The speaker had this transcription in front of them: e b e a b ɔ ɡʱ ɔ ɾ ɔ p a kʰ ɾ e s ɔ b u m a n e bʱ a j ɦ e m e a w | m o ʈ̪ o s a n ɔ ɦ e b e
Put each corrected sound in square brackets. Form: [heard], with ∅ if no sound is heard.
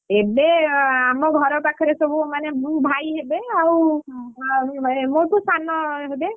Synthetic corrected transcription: e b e a [m] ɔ ɡʱ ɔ ɾ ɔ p a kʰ ɾ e s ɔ b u m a n e bʱ a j ɦ e [b] e a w | m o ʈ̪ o s a n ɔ ɦ e b e